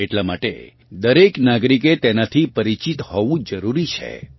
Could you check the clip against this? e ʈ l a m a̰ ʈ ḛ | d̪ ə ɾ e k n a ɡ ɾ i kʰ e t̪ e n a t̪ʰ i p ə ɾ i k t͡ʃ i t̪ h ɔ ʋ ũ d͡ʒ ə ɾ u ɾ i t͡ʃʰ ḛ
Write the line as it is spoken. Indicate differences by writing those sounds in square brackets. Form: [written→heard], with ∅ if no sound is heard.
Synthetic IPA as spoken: e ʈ l a m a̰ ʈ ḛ | d̪ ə ɾ e k n a ɡ ɾ i [kʰ→k] e t̪ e n a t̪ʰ i p ə ɾ i [k→∅] t͡ʃ i t̪ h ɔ ʋ ũ d͡ʒ ə ɾ u ɾ i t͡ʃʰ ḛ